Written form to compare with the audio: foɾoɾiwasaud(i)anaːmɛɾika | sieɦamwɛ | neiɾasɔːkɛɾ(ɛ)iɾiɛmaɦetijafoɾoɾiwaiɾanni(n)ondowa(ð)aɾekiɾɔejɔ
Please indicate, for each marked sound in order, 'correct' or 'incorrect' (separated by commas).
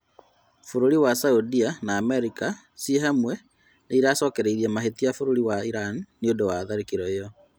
correct, incorrect, incorrect, correct